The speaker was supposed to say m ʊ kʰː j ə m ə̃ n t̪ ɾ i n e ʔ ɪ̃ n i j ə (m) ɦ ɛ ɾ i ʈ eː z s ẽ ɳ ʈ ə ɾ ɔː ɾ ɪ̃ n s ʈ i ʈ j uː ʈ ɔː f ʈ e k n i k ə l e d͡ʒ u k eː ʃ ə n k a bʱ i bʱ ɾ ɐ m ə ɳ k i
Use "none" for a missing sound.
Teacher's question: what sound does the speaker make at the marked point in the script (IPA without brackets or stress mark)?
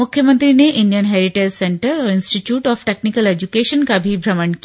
n